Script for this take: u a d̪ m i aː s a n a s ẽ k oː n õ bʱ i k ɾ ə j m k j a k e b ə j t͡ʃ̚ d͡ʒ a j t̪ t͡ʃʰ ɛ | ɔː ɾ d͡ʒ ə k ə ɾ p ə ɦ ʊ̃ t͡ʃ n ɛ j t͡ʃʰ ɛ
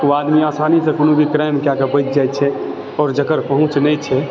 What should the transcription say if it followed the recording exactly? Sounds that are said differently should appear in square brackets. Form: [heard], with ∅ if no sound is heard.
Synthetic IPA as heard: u a d̪ m i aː s a n [i] s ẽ k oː n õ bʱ i k ɾ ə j m k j a k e b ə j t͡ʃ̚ d͡ʒ a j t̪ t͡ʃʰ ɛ | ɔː ɾ d͡ʒ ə k ə ɾ p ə ɦ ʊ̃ t͡ʃ n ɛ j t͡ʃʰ ɛ